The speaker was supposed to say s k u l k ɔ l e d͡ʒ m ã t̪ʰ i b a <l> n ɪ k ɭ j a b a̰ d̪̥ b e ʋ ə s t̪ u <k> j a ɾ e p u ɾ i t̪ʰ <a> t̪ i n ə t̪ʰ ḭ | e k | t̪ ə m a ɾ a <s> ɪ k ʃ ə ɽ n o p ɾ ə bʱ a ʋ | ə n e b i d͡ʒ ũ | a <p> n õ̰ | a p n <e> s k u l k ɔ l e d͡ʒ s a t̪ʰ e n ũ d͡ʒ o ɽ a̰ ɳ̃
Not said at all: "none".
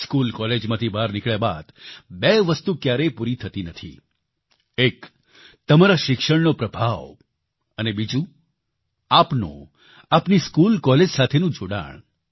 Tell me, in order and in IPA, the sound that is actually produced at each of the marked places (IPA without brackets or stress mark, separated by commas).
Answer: ɾ, k, ə, ʃ, p, i